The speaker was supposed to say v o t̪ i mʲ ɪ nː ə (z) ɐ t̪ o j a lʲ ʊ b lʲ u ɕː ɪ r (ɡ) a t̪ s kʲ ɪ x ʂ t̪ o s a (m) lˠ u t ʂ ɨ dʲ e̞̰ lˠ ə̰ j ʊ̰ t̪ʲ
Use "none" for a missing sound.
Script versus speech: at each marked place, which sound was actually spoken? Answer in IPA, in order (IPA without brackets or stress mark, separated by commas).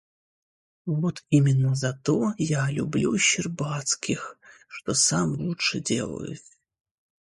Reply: z, b, m